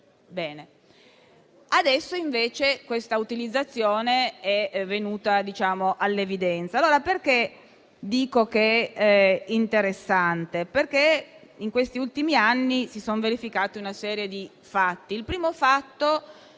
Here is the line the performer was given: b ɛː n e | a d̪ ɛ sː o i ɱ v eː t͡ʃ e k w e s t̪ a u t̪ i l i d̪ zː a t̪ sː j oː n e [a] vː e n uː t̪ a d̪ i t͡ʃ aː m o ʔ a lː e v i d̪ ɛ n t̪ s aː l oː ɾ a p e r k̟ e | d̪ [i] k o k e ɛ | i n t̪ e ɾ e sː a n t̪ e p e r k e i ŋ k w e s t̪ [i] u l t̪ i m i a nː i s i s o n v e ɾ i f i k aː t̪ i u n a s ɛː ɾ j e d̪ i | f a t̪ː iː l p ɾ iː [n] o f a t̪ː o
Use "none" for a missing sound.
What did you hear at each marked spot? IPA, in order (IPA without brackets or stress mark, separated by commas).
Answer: ɛ, iː, i, m